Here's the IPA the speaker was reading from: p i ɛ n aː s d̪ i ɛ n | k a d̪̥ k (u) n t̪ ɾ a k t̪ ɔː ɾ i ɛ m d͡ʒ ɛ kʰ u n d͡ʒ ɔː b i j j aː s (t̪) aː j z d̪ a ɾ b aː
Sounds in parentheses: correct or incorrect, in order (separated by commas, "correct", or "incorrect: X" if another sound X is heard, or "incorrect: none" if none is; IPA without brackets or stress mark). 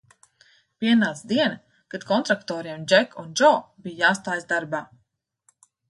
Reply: incorrect: ɔ, correct